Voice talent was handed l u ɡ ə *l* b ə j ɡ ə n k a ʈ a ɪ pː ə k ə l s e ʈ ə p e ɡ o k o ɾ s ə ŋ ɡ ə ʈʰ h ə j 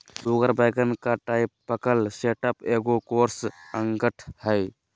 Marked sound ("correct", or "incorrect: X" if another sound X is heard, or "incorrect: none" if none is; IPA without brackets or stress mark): incorrect: ɾ